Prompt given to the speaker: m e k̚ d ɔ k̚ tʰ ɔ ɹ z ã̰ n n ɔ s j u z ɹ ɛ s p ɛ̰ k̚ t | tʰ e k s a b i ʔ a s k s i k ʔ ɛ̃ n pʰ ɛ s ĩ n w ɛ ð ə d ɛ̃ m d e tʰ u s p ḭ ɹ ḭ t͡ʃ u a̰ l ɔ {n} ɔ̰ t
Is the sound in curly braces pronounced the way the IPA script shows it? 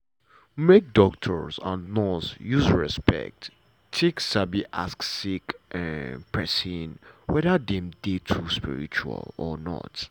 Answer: yes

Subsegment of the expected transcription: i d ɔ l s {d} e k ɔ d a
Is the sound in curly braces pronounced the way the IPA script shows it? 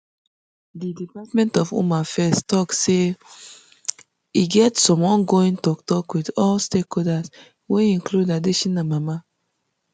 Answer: no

